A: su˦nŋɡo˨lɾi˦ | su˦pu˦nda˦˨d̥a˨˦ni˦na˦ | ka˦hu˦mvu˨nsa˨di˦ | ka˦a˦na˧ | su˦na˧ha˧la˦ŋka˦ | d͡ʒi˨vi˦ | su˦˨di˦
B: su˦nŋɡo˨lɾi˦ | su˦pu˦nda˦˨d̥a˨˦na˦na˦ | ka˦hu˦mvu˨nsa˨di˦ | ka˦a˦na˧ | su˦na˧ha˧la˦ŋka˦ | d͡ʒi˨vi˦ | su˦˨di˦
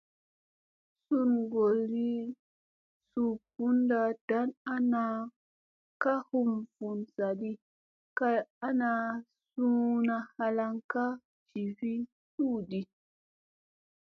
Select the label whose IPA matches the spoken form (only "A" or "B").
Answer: B